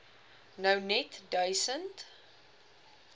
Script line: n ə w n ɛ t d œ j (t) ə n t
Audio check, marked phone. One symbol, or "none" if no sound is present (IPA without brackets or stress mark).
s